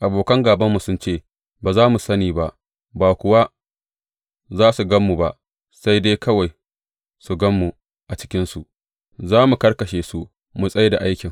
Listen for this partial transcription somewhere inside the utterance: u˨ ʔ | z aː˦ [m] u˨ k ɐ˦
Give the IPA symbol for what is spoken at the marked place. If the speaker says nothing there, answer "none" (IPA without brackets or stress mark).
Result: m